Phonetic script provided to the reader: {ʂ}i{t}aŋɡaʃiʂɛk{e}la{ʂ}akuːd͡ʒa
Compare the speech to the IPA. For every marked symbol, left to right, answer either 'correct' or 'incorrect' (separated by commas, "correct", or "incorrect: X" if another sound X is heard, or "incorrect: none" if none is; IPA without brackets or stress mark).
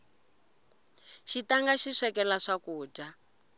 incorrect: ʃ, correct, incorrect: ɛ, correct